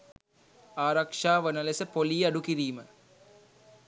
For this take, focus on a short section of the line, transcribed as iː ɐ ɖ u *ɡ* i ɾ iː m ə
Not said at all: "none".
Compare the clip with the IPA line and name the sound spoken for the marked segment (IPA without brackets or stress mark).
k